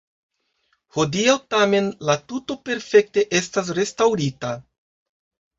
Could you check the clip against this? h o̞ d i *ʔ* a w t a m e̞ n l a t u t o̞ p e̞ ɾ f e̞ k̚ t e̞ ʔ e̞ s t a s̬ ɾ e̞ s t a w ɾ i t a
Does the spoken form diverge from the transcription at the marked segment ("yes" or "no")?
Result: yes